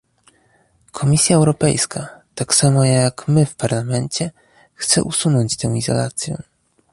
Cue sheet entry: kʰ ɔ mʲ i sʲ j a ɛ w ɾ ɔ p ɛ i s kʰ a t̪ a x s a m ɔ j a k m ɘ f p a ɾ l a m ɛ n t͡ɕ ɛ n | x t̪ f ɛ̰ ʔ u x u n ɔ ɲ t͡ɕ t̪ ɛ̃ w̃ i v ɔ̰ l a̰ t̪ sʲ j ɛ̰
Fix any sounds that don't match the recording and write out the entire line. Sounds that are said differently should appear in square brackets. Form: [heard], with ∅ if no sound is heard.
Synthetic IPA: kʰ ɔ mʲ i sʲ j a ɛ w ɾ ɔ p ɛ [j] s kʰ a t̪ a [k] s a m ɔ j a k m ɘ f p a ɾ l a m ɛ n t͡ɕ ɛ [∅] | x t̪ [s] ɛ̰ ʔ u [s] u n ɔ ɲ t͡ɕ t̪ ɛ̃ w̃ i [z] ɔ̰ l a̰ t̪ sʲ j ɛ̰